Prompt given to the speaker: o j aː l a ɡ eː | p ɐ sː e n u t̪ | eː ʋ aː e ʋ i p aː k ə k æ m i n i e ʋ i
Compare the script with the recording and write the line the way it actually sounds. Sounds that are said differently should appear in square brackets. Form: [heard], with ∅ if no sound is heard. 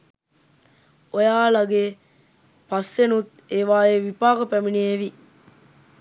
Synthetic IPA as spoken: o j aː l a ɡ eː | p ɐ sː e n u t̪ | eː ʋ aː e ʋ i p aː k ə [p] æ m i n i e ʋ i